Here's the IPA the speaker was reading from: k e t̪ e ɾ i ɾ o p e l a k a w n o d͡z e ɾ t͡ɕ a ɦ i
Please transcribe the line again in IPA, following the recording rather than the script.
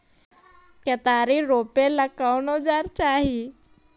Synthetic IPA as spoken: k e t̪ a ɾ i ɾ o p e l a k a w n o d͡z a ɾ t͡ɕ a ɦ i